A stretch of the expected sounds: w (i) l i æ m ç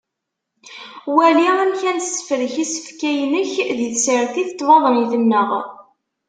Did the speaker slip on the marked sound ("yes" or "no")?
yes